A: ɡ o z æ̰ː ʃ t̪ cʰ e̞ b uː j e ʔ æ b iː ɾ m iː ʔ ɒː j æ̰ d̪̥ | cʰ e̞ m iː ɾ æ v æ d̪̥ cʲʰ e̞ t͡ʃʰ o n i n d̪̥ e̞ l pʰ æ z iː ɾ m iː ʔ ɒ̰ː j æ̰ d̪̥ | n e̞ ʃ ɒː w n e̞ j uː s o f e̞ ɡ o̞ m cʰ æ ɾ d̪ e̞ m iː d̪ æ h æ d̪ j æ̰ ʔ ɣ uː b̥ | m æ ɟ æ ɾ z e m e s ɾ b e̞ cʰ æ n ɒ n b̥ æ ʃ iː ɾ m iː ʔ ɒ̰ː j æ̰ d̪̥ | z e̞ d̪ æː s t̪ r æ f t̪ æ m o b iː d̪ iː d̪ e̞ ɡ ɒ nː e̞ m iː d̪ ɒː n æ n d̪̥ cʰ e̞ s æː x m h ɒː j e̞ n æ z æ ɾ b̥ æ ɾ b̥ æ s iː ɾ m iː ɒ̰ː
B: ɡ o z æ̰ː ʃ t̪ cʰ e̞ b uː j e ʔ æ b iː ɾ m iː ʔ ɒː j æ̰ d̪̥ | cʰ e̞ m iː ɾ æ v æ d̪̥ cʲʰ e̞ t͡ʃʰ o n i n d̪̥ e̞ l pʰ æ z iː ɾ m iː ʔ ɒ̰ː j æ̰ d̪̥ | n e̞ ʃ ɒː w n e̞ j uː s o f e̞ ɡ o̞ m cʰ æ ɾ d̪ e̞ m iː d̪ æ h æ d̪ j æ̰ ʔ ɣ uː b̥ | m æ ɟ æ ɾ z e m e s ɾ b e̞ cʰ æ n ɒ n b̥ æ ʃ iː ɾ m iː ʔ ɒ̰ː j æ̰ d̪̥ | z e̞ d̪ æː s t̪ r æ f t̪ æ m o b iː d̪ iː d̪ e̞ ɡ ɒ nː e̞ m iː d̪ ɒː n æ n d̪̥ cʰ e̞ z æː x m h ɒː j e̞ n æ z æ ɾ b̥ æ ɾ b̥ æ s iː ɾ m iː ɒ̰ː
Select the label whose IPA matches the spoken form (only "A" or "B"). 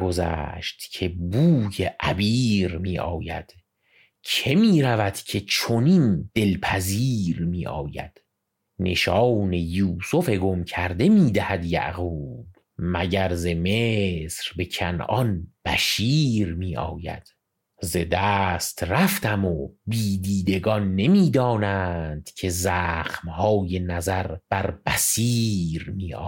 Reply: B